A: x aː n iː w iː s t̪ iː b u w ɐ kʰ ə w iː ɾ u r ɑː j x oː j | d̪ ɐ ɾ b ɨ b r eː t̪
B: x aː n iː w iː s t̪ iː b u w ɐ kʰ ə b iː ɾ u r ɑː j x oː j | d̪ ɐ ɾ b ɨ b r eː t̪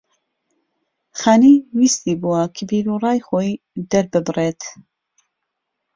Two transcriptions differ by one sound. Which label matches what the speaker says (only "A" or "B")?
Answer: B